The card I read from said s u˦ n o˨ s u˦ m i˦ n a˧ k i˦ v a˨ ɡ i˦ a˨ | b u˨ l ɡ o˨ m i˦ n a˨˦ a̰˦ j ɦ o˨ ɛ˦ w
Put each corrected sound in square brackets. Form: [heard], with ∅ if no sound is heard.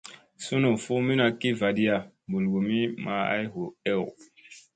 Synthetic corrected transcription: s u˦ n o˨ [f] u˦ m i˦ n a˧ k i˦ v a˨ [d] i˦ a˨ | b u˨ l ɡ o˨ m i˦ [m] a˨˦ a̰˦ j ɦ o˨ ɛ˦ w